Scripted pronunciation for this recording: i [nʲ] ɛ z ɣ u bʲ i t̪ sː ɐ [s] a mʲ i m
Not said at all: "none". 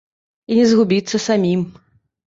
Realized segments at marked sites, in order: nʲ, s

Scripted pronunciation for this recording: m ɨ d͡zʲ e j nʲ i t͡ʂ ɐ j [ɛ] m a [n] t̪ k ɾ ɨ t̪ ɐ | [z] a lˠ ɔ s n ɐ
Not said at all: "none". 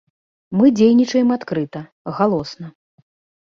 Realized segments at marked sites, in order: ɛ, none, ɣ

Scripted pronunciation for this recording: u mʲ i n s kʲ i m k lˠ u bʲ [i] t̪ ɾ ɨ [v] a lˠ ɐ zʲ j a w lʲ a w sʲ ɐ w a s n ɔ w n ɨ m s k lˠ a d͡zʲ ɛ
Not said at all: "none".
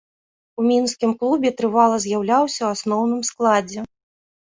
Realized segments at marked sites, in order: ɛ, v

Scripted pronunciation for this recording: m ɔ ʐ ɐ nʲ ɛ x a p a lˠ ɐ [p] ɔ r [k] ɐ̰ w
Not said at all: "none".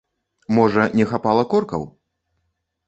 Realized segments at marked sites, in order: k, k

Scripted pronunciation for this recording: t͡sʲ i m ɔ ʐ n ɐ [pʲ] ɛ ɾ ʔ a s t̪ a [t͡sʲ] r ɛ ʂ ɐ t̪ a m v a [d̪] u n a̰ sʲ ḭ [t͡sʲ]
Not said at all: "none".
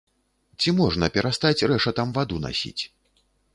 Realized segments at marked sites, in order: pʲ, t͡sʲ, d̪, t͡sʲ

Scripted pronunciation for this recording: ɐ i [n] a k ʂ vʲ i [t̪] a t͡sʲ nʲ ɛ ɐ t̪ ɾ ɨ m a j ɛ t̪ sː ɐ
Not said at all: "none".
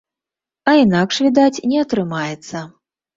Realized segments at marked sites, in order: n, d̪

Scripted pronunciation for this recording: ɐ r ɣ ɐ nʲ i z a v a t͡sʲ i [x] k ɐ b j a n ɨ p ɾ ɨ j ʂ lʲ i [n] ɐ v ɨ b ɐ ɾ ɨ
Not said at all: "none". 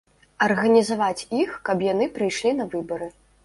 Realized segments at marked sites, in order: x, n

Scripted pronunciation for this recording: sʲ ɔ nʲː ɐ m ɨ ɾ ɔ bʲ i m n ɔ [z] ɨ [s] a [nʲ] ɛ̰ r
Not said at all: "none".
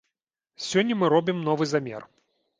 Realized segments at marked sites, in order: v, z, mʲ

